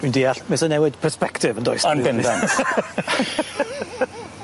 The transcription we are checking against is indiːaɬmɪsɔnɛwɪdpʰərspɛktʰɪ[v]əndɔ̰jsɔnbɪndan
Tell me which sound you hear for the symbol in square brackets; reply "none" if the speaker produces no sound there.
v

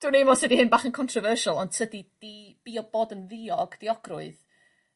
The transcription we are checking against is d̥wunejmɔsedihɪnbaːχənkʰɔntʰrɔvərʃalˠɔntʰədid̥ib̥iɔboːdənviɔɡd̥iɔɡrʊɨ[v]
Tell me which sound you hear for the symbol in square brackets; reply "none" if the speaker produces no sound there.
ð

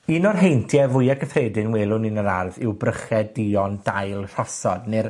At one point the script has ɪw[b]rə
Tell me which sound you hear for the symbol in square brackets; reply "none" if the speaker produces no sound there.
b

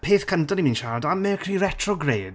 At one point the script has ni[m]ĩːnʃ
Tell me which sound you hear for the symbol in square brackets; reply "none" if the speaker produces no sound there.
m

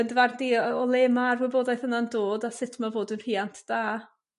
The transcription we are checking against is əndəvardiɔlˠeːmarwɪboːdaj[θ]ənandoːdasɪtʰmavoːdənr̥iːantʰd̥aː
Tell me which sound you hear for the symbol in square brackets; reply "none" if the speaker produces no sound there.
θ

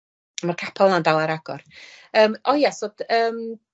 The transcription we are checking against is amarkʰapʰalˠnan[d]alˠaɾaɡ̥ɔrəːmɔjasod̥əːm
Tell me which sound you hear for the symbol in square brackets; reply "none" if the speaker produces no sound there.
d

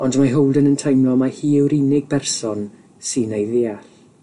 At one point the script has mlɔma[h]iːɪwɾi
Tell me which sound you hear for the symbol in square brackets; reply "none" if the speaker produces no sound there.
h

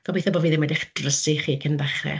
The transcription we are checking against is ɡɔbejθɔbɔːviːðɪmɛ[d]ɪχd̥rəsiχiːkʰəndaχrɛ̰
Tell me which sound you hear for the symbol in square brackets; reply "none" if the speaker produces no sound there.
d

